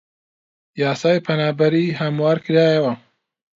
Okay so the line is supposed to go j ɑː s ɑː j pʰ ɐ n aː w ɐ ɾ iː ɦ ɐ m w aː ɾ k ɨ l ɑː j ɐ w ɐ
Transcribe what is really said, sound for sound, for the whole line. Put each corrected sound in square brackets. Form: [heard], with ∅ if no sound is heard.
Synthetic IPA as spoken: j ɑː s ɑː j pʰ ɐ n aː [b] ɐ ɾ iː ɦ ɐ m w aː ɾ k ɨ [ɾ] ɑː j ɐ w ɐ

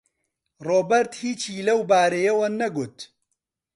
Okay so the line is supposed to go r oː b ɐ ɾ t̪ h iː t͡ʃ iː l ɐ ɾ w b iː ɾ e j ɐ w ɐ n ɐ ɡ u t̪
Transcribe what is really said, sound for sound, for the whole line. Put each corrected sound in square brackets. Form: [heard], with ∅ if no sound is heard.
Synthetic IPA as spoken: r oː b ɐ ɾ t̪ h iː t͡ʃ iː l ɐ [∅] w b [aː] ɾ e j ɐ w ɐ n ɐ ɡ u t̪

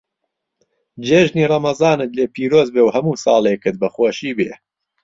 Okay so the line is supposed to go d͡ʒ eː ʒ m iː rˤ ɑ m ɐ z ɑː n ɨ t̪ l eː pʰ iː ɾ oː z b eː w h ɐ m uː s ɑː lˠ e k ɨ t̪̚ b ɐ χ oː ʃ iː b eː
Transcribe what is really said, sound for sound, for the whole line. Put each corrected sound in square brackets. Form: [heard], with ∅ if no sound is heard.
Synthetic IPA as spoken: d͡ʒ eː ʒ [n] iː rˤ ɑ m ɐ z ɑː n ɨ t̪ l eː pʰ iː ɾ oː z b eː w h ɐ m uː s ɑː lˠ e k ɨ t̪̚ b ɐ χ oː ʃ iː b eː

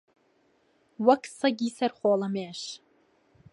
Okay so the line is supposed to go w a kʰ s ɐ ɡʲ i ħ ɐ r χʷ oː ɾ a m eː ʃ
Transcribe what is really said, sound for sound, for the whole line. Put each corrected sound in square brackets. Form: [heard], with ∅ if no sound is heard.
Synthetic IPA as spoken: w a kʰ s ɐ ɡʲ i [s] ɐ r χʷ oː [l] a m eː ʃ

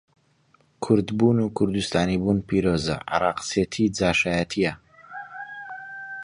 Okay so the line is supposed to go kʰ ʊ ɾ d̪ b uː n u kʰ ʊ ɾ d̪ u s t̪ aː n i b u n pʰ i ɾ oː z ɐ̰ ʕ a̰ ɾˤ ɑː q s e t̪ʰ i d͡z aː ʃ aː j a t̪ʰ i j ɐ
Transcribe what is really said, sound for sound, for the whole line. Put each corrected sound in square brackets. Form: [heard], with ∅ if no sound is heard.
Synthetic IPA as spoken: kʰ ʊ ɾ d̪ b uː n u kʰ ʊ ɾ d̪ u s t̪ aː n i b u n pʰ i ɾ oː z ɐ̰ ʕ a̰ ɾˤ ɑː q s e t̪ʰ i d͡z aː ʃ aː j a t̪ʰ i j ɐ

